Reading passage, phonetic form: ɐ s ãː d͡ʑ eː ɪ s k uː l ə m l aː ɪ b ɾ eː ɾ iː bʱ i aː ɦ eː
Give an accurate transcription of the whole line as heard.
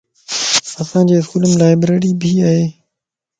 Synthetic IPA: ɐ s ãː d͡ʑ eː ɪ s k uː l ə m l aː ɪ b ɾ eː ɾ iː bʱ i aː ɦ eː

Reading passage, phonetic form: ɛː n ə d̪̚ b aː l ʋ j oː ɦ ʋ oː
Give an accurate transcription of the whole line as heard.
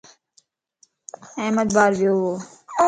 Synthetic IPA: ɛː m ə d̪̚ b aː ɾ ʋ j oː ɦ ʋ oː

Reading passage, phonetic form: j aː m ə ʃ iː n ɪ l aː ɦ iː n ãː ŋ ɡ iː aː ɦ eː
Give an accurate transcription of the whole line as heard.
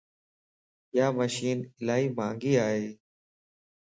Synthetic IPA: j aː m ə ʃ iː n ɪ l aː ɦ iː m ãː ŋ ɡ iː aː ɦ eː

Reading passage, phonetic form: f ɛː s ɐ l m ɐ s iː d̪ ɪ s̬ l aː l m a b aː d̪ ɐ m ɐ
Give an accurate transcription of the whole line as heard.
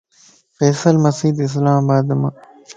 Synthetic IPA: f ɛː s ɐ l m ɐ s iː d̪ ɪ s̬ l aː m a b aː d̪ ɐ m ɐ

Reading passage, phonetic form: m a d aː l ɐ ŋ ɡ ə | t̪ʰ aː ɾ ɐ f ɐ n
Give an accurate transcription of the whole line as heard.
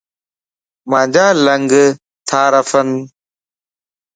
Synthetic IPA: m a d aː l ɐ ŋ ɡ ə | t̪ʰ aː ɾ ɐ f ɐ n

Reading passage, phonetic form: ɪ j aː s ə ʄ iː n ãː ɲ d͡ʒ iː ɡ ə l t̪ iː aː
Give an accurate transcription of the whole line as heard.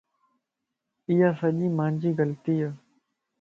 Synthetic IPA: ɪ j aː s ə ʄ iː m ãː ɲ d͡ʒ iː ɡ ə l t̪ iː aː

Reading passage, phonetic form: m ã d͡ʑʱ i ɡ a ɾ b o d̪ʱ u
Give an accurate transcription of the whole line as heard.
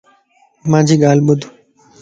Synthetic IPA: m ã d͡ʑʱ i ɡ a l b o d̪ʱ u

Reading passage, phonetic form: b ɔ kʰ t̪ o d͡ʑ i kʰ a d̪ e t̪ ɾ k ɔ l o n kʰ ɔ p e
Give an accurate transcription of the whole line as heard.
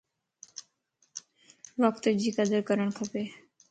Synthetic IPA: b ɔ k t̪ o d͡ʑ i k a d̪ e ɾ k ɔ ɾ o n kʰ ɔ p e

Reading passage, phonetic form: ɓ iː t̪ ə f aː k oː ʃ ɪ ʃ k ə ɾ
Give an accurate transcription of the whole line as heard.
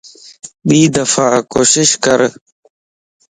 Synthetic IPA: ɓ iː d̪ ə f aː k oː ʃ ɪ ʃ k ə ɾ

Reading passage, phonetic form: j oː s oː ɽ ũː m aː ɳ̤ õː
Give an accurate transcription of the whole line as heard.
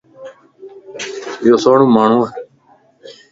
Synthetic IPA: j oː s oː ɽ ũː m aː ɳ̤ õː

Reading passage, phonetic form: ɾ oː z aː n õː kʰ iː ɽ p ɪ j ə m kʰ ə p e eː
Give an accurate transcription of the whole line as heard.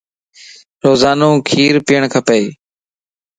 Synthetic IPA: ɾ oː z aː n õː kʰ iː ɾ p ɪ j ə ɳ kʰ ə p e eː

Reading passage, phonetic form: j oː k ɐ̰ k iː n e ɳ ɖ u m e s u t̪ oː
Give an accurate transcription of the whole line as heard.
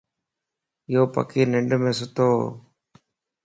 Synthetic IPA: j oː p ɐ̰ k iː n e ɳ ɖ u m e s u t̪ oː

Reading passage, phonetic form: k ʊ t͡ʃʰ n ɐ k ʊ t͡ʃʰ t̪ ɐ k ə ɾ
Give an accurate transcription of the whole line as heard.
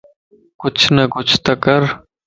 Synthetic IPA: k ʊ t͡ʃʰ n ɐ k ʊ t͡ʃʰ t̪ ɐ k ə ɾ

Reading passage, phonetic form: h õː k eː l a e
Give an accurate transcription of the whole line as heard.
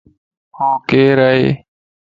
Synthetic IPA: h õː k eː ɾ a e

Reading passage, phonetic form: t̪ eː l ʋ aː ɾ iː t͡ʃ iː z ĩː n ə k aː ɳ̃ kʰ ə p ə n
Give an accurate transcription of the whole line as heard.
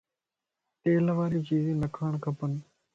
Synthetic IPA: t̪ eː l ʋ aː ɾ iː t͡ʃ iː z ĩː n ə kʰ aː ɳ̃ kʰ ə p ə n

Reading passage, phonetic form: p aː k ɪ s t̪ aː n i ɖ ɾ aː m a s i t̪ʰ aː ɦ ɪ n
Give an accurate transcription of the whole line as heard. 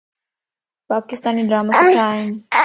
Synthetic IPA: p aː k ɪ s t̪ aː n i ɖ ɾ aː m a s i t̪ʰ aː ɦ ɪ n

